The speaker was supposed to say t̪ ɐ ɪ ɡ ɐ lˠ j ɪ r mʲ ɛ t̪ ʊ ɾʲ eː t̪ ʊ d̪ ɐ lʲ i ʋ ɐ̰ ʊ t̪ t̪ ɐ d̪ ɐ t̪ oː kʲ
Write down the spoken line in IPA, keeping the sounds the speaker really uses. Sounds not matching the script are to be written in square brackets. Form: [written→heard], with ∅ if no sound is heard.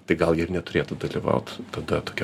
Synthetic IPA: t̪ ɐ ɪ ɡ ɐ lˠ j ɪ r [mʲ→nʲ] ɛ t̪ ʊ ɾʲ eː t̪ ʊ d̪ ɐ lʲ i ʋ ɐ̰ ʊ t̪ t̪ ɐ d̪ ɐ t̪ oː kʲ